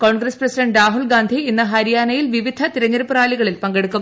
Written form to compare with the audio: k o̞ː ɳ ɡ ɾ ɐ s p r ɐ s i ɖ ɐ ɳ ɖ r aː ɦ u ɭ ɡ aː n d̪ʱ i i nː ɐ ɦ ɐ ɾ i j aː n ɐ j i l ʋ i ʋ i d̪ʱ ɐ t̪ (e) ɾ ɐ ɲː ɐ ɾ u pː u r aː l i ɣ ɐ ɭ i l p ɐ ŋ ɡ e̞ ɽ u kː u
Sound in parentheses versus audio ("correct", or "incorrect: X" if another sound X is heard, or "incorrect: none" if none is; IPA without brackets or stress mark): incorrect: i